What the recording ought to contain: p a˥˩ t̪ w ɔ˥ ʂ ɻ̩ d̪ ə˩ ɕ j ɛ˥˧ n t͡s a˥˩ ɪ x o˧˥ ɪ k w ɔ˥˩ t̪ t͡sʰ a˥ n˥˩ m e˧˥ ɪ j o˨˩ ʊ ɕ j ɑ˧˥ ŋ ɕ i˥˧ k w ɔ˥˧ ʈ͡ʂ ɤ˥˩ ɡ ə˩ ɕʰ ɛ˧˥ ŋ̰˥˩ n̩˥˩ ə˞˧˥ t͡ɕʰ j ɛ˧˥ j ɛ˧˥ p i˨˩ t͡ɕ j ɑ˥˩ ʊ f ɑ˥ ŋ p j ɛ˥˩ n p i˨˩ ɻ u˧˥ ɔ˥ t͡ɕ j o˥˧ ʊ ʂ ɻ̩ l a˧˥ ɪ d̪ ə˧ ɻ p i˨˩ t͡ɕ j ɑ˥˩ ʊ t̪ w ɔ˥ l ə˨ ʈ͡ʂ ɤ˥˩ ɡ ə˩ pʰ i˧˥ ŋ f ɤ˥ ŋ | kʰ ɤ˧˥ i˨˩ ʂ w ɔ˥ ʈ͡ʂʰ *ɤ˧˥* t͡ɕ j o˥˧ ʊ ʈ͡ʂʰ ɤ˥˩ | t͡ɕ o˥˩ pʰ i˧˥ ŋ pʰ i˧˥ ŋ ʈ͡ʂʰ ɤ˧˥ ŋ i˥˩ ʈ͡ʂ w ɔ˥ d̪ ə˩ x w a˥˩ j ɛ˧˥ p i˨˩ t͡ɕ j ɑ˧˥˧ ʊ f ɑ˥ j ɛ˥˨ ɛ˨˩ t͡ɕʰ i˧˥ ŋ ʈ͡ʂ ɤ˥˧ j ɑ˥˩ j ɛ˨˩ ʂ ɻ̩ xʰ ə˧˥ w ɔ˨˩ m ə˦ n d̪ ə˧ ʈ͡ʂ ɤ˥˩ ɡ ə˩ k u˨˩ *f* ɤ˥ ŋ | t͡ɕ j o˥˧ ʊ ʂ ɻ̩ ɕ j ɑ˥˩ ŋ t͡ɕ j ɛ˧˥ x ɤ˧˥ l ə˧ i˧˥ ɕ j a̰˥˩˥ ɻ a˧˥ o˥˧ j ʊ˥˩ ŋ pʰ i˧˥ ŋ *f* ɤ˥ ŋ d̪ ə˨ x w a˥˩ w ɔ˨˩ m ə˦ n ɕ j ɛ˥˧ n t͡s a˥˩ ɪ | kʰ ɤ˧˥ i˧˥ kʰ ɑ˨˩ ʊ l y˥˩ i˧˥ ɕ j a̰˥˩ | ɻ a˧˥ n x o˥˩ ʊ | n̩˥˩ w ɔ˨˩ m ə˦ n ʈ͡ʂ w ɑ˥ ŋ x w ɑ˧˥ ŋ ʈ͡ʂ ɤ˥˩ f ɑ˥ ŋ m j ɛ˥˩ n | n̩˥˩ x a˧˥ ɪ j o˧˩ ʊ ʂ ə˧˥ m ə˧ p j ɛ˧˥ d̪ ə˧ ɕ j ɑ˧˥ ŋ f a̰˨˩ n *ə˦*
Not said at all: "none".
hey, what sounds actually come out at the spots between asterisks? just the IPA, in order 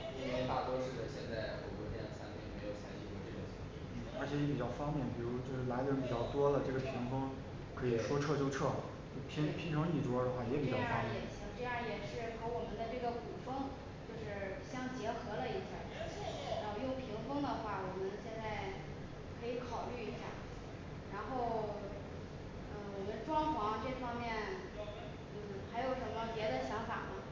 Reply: ɤ˥˧, f, f, ə˦

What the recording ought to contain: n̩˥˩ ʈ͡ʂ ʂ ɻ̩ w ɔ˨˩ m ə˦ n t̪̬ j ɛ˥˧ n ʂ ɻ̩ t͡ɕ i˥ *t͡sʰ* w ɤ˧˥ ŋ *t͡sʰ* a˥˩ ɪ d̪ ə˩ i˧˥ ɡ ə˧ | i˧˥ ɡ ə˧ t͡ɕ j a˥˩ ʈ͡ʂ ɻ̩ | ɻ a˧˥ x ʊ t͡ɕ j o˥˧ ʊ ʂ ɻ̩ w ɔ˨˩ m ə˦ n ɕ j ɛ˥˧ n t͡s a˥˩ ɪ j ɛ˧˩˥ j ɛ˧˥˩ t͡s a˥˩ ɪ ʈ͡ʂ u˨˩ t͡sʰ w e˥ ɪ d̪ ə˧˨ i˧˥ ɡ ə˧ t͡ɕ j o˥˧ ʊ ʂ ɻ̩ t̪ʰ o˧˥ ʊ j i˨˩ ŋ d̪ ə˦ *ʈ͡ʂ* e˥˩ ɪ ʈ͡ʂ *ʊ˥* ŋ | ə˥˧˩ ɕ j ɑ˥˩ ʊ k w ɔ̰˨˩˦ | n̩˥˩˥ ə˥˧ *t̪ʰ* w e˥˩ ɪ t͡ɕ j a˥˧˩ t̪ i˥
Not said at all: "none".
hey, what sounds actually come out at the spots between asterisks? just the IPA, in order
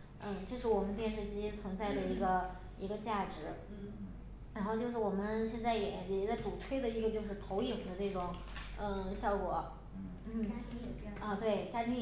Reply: t͡sʰ, t͡s, ʈ͡ʂ, ʊ˨˩˦, t̪

